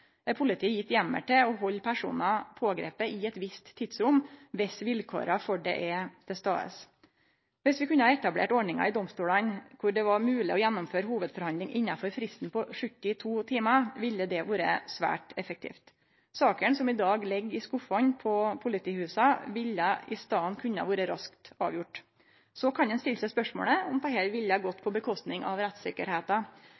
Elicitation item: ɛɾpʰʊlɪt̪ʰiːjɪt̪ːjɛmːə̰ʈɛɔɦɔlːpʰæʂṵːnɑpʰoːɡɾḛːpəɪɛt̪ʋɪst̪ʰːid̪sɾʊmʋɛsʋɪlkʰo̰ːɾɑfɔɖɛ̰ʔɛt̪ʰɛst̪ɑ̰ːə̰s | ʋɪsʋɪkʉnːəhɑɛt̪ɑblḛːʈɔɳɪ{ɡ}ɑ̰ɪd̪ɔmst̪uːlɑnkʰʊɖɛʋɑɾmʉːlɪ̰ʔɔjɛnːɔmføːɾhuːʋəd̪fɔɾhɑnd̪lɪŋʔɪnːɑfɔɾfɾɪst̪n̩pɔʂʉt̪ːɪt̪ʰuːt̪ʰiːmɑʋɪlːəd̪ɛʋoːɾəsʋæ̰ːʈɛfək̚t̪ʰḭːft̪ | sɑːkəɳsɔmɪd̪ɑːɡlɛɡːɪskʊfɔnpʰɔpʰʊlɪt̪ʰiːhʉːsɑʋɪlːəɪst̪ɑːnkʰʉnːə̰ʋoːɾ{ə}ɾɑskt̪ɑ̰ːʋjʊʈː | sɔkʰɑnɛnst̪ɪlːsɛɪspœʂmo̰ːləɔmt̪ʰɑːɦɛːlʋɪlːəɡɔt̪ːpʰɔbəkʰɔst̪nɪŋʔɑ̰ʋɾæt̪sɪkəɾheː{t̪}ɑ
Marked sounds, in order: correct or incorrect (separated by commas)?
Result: incorrect, correct, correct